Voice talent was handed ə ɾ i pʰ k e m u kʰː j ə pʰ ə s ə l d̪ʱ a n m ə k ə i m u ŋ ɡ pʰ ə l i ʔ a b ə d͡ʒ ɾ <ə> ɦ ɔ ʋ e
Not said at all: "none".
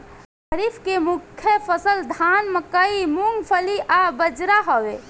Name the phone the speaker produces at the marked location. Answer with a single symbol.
a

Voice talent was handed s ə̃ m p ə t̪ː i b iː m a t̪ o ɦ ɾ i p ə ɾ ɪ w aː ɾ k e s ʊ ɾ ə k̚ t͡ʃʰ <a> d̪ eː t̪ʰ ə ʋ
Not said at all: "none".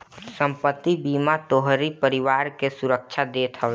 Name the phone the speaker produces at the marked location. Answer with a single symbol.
a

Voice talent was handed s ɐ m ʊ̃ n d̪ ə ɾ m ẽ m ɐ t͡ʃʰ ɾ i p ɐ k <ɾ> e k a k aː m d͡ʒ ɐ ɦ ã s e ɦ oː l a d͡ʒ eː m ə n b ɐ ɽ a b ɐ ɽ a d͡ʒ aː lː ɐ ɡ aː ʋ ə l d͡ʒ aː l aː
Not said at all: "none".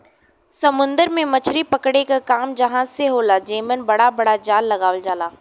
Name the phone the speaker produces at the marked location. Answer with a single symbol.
ɽ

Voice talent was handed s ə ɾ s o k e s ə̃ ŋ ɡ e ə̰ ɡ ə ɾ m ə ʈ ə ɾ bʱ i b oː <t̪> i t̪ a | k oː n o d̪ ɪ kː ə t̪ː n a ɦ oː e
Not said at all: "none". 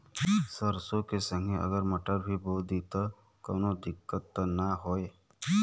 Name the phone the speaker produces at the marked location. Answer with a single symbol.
d̪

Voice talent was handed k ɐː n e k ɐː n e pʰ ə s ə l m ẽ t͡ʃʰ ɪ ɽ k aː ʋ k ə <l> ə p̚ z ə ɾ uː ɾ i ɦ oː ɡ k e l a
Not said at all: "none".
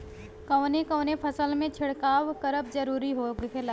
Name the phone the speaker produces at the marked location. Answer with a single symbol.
ɾ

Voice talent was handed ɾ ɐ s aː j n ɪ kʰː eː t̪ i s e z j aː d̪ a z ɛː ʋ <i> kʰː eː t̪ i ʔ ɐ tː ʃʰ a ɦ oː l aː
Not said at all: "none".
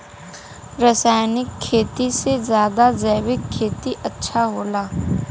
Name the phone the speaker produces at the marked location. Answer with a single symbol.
ɪ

